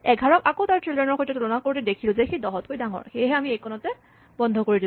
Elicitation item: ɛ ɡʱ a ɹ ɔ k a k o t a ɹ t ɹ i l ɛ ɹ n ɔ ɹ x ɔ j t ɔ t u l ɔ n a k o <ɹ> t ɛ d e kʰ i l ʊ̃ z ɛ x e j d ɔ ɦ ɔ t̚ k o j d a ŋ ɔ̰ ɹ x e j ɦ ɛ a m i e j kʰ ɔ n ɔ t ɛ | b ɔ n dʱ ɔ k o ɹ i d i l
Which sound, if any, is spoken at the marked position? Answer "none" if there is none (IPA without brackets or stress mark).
ɹ